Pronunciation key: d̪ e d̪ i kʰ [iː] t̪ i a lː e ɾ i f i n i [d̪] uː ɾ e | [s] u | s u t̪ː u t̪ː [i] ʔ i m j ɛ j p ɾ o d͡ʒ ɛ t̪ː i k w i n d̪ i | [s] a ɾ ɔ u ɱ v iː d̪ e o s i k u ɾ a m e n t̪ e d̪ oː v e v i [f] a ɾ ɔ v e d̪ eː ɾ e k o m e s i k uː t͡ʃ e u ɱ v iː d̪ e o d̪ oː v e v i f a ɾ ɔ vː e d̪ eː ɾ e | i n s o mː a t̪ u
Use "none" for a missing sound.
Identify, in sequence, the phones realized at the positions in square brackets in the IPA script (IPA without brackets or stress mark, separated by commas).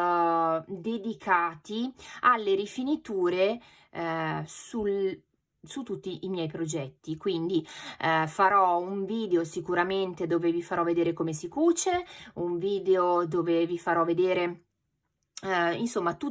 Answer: aː, t̪, s, i, f, f